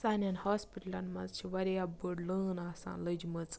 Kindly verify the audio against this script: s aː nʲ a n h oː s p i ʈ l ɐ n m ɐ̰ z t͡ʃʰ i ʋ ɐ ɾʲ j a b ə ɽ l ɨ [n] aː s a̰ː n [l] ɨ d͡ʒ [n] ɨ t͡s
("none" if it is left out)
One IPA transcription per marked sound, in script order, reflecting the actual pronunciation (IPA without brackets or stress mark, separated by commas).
n, l, m